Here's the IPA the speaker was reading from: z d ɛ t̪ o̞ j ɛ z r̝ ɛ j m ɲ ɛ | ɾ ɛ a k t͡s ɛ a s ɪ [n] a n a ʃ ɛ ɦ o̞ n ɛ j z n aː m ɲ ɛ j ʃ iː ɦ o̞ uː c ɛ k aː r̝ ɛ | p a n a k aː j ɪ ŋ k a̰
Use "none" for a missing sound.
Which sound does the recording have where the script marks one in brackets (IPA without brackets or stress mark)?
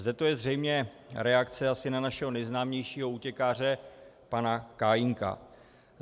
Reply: n